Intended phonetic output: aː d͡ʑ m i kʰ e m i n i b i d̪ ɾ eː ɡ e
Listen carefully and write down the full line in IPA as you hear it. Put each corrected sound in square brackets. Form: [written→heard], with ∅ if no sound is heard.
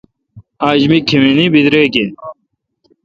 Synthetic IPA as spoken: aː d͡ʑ m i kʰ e m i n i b i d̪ ɾ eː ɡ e